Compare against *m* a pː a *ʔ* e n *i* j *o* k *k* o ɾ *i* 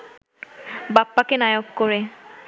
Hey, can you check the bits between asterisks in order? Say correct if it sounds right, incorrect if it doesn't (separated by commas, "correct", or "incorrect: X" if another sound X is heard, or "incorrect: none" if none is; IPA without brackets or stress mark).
incorrect: b, incorrect: k, incorrect: a, correct, correct, incorrect: e